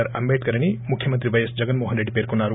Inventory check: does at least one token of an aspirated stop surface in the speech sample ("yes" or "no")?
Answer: yes